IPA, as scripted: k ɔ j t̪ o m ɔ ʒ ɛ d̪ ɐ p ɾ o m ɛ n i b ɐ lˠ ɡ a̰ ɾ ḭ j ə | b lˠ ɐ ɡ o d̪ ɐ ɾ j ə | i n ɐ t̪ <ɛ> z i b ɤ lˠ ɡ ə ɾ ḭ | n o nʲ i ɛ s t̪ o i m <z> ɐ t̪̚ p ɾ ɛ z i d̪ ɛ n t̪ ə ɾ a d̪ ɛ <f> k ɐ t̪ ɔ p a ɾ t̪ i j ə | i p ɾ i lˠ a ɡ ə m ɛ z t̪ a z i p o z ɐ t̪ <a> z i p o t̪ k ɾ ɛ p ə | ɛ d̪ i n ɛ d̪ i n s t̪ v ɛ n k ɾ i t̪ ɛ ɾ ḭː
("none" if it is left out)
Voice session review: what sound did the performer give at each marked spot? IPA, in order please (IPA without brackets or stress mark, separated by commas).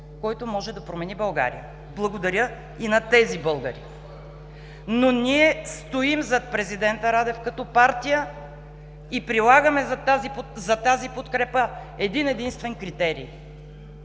ɛ, z, f, a